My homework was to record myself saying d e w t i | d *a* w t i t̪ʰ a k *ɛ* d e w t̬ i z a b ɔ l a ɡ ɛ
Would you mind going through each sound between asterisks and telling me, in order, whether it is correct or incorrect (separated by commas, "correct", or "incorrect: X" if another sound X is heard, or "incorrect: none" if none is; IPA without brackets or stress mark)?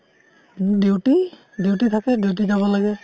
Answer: incorrect: e, correct